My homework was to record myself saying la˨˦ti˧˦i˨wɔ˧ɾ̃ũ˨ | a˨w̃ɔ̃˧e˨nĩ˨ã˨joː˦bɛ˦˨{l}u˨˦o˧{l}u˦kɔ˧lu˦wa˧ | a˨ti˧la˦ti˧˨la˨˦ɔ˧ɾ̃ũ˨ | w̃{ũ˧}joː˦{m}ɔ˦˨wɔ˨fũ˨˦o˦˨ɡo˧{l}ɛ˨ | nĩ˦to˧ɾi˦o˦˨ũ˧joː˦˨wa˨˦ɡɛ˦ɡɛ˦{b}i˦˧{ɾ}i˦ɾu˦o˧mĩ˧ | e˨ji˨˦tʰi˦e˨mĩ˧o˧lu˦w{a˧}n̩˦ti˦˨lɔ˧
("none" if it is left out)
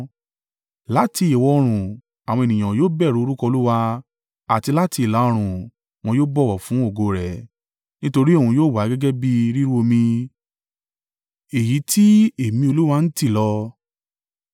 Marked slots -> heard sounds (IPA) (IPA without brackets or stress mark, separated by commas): ɾ, ɾ, ɔ̃˧, b, ɾ, b, ɾ, a˧